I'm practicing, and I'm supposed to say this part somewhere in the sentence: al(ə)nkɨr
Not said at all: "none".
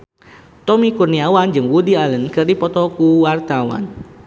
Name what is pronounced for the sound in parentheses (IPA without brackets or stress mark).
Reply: ə